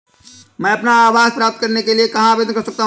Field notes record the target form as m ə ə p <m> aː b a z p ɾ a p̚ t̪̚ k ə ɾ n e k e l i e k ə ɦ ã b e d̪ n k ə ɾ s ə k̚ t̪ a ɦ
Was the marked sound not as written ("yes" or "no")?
yes